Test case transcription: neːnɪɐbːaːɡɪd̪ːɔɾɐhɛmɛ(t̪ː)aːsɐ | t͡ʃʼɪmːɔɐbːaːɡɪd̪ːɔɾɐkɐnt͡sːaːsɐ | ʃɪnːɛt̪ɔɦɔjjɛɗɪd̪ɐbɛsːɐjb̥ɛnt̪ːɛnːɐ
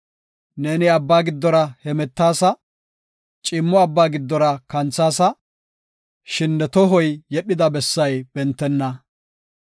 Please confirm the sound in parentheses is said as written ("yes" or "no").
yes